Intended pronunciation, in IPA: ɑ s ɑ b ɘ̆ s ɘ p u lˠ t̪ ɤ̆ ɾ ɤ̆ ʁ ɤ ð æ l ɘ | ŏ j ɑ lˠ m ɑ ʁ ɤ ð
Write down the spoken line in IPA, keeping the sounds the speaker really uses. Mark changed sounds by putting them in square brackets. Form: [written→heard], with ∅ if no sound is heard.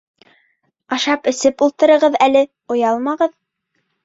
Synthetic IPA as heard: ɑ [s→ʃ] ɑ [b→p] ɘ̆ s ɘ p u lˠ t̪ ɤ̆ ɾ ɤ̆ ʁ ɤ ð æ l ɘ | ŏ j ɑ lˠ m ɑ ʁ ɤ ð